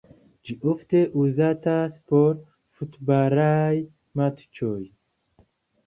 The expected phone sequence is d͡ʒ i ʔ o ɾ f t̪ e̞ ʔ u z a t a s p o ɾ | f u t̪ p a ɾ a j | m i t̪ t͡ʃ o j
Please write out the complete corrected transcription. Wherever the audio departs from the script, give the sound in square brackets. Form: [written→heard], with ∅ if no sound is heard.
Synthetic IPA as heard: d͡ʒ i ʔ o [ɾ→∅] f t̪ e̞ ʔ u z a t a s p o ɾ | f u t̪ [p→b] a ɾ a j | m [i→a] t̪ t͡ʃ o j